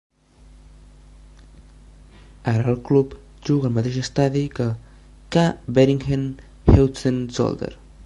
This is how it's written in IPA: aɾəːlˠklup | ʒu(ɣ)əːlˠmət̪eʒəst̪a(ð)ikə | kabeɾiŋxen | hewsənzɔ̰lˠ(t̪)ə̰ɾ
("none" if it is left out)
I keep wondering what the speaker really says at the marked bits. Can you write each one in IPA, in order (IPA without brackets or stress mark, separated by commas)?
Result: ɣ, ð, d̪